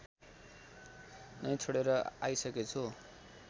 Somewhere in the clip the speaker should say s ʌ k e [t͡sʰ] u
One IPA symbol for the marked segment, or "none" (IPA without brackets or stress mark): t͡sʰ